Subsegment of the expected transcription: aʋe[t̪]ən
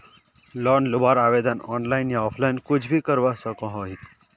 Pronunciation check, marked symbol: incorrect: d̪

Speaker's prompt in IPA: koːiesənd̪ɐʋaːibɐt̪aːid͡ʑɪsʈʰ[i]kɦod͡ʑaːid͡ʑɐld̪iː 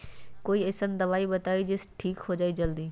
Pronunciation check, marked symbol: incorrect: iː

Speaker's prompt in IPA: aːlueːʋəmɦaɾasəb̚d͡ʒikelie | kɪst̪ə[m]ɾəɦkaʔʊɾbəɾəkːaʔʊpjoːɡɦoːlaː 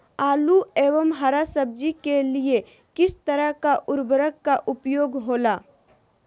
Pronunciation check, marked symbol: incorrect: none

